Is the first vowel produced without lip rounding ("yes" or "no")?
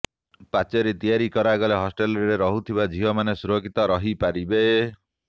yes